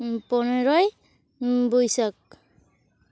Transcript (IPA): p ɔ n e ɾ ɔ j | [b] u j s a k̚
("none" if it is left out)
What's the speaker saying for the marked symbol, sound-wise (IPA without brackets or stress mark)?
b